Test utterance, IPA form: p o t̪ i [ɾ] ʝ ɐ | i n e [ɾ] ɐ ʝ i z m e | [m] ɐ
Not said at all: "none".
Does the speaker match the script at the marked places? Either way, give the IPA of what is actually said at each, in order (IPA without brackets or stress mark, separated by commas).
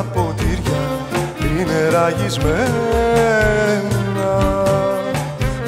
ɾ, ɾ, n